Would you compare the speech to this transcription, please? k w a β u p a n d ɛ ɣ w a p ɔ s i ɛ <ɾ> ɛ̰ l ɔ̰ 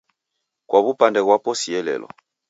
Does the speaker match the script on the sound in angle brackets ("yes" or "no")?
no